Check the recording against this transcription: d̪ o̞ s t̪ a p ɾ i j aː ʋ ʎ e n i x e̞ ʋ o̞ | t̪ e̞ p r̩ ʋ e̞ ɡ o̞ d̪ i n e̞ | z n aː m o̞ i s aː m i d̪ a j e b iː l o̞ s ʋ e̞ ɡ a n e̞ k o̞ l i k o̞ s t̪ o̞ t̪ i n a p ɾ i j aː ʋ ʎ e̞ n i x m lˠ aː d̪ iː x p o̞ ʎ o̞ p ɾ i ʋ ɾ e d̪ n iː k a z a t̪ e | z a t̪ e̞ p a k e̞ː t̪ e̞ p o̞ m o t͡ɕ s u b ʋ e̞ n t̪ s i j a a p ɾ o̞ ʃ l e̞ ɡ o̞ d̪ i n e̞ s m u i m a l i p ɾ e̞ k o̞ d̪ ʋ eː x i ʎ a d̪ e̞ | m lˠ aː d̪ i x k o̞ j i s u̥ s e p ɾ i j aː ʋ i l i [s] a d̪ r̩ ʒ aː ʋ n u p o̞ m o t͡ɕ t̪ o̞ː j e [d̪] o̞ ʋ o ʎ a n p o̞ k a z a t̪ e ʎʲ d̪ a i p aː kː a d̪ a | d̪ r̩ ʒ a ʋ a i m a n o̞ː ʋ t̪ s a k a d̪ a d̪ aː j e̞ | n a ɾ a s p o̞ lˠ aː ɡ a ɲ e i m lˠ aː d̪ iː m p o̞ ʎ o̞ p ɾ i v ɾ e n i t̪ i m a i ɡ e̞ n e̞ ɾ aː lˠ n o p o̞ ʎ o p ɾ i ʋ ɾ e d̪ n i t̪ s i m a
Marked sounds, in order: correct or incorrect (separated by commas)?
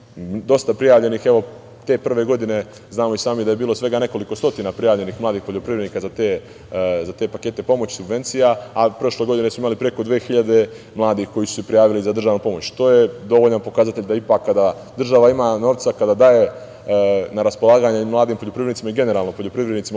incorrect, correct